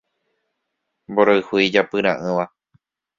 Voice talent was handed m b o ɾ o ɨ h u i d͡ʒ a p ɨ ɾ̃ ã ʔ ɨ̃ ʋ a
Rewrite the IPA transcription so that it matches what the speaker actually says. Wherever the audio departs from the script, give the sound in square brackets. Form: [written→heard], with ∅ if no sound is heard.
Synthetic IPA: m b o ɾ o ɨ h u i d͡ʒ a p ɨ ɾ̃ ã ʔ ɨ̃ ʋ a

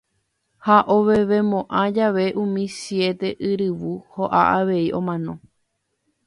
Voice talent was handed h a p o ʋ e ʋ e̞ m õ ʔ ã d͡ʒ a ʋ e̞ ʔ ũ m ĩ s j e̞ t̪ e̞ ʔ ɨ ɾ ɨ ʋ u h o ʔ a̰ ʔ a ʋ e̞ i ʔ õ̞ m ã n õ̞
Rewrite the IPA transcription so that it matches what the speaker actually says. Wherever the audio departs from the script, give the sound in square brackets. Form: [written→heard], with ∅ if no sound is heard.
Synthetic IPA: h a [p→ʔ] o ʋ e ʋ e̞ m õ ʔ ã d͡ʒ a ʋ e̞ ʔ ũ m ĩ s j e̞ t̪ e̞ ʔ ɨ ɾ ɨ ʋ u h o ʔ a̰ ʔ a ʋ e̞ i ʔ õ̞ m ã n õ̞

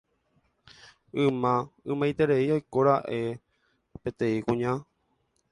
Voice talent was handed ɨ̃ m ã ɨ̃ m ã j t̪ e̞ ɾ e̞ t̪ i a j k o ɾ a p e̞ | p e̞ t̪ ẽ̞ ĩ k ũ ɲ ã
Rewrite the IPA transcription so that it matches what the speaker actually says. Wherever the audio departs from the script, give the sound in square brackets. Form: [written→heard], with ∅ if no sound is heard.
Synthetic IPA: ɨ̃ m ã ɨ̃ m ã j t̪ e̞ ɾ e̞ [t̪→∅] i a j k o ɾ a [p→ʔ] e̞ | p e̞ t̪ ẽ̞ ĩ k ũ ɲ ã

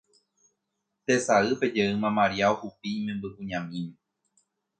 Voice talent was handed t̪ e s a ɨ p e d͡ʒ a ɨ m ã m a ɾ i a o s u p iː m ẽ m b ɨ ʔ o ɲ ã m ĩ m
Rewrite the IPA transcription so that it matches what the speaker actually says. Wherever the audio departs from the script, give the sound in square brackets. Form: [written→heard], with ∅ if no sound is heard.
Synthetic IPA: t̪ e s a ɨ p e d͡ʒ [a→e] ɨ m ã m a ɾ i a o [s→h] u p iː m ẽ m b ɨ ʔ [o→u] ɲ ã m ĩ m

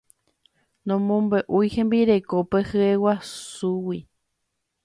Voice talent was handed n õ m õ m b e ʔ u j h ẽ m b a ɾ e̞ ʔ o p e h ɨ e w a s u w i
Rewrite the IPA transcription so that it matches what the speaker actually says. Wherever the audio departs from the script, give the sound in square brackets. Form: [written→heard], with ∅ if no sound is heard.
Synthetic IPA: n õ m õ m b e ʔ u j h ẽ m b [a→i] ɾ e̞ [ʔ→k] o p e h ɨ e w a s u w i

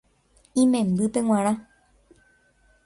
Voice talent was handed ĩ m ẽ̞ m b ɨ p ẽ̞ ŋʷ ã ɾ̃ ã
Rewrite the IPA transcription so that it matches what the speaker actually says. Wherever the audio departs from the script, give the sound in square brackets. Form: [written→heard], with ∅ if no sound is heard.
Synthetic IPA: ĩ m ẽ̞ m b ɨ p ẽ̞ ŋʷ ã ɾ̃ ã

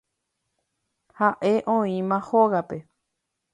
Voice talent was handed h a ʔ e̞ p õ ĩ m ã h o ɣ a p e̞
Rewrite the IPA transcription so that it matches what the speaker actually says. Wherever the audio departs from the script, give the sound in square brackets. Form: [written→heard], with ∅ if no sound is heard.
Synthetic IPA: h a ʔ e̞ [p→ʔ] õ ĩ m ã h o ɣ a p e̞

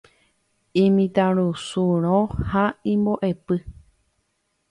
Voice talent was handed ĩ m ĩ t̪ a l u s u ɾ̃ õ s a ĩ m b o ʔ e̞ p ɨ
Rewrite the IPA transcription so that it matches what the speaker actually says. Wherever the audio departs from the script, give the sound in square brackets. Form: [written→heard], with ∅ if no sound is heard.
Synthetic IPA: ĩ m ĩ t̪ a [l→ɾ] u s u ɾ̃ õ [s→h] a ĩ m b o ʔ e̞ p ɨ

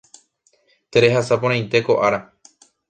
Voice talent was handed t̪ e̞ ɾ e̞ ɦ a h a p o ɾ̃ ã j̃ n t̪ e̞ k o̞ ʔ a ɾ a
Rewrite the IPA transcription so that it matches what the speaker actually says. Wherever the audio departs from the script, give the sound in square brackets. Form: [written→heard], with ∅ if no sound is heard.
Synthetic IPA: t̪ e̞ ɾ e̞ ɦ a [h→s] a p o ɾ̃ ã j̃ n t̪ e̞ k o̞ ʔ a ɾ a

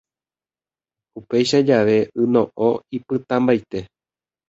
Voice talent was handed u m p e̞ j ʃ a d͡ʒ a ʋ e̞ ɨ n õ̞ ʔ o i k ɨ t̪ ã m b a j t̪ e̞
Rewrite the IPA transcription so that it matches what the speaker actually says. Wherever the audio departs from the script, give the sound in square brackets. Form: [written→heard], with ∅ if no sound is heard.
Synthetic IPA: u [m→∅] p e̞ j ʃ a d͡ʒ a ʋ e̞ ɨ n õ̞ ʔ o i [k→p] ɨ t̪ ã m b a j t̪ e̞

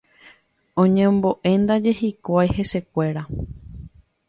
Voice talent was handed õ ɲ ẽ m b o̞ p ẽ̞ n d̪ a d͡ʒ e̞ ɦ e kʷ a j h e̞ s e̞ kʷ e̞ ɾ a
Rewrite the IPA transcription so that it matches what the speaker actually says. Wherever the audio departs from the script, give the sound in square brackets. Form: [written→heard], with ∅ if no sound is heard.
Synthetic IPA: õ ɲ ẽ m b o̞ [p→ʔ] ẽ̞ n d̪ a d͡ʒ e̞ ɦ [e→i] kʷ a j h e̞ s e̞ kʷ e̞ ɾ a

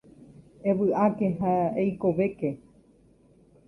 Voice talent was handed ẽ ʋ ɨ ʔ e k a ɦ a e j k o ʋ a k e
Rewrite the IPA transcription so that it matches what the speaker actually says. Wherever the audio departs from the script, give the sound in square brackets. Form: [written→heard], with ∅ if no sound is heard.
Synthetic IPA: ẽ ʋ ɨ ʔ [e→a] k [a→e] ɦ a e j k o ʋ [a→e] k e

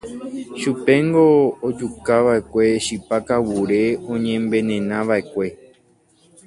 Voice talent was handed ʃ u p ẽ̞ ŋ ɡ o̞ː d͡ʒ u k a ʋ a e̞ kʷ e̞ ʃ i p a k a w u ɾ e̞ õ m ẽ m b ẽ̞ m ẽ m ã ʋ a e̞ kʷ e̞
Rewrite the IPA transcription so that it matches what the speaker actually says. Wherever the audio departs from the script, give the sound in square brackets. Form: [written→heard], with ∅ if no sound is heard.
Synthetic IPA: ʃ u p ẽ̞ ŋ ɡ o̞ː d͡ʒ u k a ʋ a e̞ kʷ e̞ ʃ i p a k a w u ɾ e̞ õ [m→ɲ] ẽ m b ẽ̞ [m→n] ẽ [m→n] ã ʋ a e̞ kʷ e̞

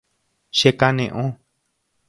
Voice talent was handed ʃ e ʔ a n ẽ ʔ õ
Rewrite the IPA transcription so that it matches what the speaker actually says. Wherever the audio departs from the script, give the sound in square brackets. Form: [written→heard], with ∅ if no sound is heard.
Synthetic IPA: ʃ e [ʔ→k] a n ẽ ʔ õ

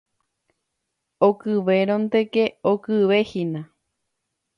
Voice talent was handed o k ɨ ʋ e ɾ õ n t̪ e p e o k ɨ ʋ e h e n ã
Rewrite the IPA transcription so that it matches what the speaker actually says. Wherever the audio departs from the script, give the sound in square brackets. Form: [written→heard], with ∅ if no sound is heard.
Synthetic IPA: o k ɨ ʋ e ɾ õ n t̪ e [p→k] e o k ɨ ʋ e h [e→i] n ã

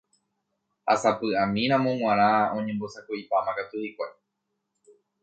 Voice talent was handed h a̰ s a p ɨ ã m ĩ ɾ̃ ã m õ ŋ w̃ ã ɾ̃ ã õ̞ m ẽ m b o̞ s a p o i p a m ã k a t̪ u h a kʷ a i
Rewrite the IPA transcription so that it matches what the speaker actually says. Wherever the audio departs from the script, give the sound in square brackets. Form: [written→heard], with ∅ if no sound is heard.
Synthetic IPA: h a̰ s a p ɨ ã m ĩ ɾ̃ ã m õ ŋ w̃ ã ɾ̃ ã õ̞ [m→ɲ] ẽ m b o̞ s a [p→k] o i p a m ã k a t̪ u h [a→i] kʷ a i

